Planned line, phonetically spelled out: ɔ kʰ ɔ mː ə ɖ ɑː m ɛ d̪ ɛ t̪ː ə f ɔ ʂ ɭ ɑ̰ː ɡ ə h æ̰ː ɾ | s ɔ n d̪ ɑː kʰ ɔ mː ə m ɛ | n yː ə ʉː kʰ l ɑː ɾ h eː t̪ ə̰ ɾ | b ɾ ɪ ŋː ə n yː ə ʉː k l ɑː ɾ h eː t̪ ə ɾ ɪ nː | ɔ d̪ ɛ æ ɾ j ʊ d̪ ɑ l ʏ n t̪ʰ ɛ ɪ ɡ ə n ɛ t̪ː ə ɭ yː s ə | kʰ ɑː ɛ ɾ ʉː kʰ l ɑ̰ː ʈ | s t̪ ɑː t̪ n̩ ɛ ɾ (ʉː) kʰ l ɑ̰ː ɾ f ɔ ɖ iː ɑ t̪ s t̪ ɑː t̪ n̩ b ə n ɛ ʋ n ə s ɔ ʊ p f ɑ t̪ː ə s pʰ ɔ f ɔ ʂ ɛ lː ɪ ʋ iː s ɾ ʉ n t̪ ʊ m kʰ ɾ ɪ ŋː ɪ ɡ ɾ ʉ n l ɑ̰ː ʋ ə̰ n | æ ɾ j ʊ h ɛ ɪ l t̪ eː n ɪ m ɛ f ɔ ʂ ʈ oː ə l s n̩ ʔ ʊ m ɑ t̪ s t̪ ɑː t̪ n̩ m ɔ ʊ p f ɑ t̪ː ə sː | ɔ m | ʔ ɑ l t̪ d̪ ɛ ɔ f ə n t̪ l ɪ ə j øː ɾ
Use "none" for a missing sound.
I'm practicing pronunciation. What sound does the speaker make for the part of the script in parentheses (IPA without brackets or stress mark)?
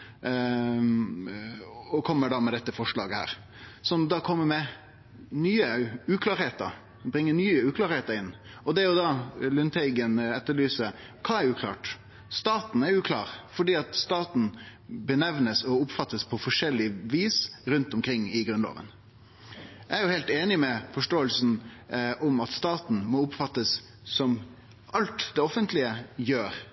ʉː